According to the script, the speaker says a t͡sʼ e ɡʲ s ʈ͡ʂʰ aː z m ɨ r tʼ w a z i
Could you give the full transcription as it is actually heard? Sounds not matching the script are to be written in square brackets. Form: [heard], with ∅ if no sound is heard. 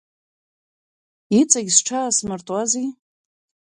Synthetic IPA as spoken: [i] t͡sʼ [a] ɡʲ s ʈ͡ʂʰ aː [s] m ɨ r tʼ w a z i